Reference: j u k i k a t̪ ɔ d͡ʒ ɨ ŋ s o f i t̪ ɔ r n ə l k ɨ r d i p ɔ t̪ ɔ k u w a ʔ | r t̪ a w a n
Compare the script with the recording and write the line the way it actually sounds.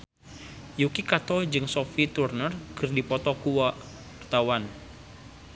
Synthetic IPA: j u k i k a t̪ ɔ d͡ʒ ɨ ŋ s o f i t̪ u r n ə r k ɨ r d i p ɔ t̪ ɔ k u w a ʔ | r t̪ a w a n

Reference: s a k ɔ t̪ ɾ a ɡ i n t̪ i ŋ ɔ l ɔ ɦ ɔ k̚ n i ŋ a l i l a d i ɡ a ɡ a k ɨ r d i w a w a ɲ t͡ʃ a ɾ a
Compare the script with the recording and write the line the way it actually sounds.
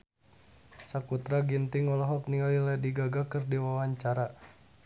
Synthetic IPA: s a k u t̪ ɾ a ɡ i n t̪ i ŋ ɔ l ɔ ɦ ɔ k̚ n i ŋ a l i l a d i ɡ a ɡ a k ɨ r d i w a w a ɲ t͡ʃ a ɾ a

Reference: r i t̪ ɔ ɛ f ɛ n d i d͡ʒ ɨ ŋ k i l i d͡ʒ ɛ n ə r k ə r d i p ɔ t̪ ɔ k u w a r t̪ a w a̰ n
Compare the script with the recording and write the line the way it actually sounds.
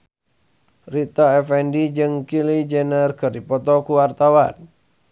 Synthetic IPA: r i t̪ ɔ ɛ f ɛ n d i d͡ʒ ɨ ŋ k i l i d͡ʒ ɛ n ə r k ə r d i p ɔ t̪ ɔ k u w a r t̪ a w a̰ n

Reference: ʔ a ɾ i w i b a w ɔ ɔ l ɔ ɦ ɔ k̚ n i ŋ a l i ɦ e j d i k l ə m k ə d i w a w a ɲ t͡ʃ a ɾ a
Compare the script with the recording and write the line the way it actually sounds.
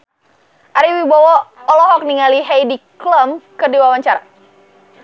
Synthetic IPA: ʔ a ɾ i w i b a w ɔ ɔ l ɔ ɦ ɔ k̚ n i ŋ a l i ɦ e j d i k l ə m k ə d i w a w a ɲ t͡ʃ a ɾ a

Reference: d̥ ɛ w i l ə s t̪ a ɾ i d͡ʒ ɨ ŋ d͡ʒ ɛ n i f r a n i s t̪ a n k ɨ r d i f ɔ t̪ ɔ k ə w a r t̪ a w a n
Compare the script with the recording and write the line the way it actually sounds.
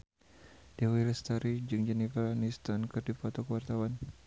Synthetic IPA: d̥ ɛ w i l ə s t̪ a ɾ i d͡ʒ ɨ ŋ d͡ʒ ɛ n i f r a n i s t̪ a n k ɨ r d i f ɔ t̪ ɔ k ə w a r t̪ a w a n

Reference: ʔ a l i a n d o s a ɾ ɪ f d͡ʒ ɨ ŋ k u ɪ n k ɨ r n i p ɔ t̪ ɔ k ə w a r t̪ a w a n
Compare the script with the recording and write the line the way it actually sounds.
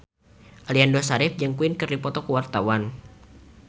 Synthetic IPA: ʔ a l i a n d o s a ɾ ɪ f d͡ʒ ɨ ŋ k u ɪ n k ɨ r d i p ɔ t̪ ɔ k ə w a r t̪ a w a n

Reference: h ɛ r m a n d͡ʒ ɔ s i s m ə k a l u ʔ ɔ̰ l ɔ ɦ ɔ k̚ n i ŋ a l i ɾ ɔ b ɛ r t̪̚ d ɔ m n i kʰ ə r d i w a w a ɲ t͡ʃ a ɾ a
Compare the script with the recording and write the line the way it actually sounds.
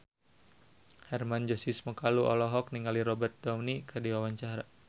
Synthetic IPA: h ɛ r m a n d͡ʒ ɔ s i s m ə k a l u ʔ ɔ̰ l ɔ ɦ ɔ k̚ n i ŋ a l i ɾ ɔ b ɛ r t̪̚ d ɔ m n i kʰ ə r d i w a w a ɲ t͡ʃ a ɾ a

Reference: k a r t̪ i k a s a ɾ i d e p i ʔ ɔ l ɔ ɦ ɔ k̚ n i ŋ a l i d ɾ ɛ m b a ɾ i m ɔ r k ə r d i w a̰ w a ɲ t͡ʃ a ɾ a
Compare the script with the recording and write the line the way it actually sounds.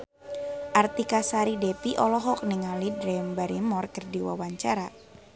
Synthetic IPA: ʔ a r t̪ i k a s a ɾ i d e p i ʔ ɔ l ɔ ɦ ɔ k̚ n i ŋ a l i d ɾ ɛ m b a ɾ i m ɔ r k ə r d i w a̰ w a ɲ t͡ʃ a ɾ a

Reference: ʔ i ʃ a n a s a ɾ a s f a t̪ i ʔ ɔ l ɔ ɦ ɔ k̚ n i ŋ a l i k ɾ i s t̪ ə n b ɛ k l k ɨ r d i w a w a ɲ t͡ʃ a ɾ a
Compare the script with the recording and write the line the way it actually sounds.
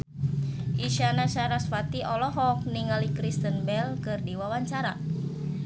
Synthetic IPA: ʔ i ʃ a n a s a ɾ a s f a t̪ i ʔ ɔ l ɔ ɦ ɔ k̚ n i ŋ a l i k ɾ i s t̪ ə n b ɛ l k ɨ r d i w a w a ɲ t͡ʃ a ɾ a

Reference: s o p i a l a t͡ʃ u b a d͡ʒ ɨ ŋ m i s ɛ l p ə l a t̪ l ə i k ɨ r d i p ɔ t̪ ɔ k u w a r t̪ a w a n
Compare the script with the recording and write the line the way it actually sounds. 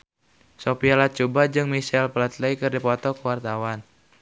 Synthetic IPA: s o p i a l a t͡ʃ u b a d͡ʒ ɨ ŋ m i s ɛ l p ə l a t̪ l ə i k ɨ r d i p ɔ t̪ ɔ k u w a r t̪ a w a n

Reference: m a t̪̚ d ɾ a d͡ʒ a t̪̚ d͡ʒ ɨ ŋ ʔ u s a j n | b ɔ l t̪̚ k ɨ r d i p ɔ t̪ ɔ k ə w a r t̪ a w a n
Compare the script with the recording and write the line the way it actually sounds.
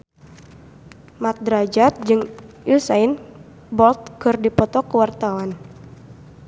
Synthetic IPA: m a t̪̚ d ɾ a d͡ʒ a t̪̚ d͡ʒ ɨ ŋ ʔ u s a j n | b ɔ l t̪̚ k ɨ r d i p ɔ t̪ ɔ k ə w a r t̪ a w a n

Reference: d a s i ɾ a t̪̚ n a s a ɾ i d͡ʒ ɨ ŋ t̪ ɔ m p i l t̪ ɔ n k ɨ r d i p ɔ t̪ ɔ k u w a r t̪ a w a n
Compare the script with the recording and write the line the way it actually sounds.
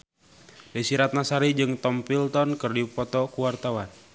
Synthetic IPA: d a s i ɾ a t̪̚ n a s a ɾ i d͡ʒ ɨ ŋ t̪ ɔ m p i l t̪ ɔ n k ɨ r d i p ɔ t̪ ɔ k u w a r t̪ a w a n

